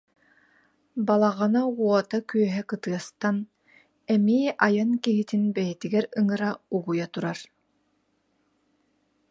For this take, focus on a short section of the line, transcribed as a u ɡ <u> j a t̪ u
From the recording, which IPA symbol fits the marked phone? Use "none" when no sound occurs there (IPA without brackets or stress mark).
u